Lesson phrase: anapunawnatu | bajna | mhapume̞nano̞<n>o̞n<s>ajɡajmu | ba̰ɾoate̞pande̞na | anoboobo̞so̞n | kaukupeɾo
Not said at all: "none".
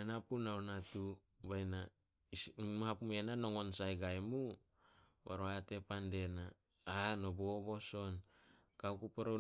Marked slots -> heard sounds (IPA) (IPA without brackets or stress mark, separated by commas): ŋ, s